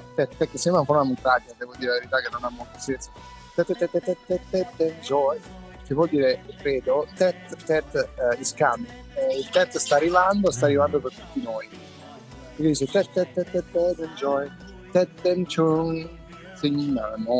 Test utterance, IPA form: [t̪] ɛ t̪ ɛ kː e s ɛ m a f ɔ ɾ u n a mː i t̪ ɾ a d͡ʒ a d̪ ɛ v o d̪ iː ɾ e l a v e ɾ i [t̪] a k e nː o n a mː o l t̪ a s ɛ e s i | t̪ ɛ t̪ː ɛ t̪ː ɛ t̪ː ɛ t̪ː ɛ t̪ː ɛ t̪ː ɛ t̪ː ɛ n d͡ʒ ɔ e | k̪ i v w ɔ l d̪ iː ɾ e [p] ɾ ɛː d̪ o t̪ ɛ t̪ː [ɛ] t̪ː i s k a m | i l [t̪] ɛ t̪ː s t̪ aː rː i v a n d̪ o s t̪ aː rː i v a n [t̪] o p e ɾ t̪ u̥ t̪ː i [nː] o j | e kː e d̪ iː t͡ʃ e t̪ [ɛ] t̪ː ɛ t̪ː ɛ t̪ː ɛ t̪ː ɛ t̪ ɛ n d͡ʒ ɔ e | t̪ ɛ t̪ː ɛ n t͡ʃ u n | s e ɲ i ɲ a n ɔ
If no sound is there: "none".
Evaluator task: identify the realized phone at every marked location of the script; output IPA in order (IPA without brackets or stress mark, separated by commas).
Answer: t̪, t̪, k, ɛ, t̪, d̪, n, ɛ